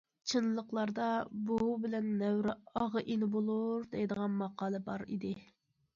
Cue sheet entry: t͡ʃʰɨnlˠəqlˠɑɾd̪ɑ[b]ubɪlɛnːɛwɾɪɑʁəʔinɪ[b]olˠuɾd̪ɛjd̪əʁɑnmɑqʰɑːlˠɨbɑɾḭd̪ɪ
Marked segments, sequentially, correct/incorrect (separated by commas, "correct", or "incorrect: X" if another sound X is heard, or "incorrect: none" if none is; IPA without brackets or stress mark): correct, correct